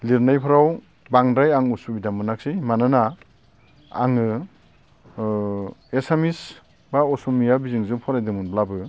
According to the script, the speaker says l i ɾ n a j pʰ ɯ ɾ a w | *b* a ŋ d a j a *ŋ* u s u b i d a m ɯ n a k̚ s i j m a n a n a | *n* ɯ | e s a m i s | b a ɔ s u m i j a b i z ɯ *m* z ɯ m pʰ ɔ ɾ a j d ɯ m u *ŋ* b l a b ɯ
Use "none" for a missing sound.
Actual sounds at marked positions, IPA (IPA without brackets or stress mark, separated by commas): b, ŋ, ŋ, ŋ, n